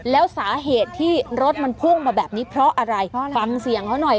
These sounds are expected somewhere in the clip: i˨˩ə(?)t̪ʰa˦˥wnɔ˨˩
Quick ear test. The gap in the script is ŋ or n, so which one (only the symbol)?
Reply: ŋ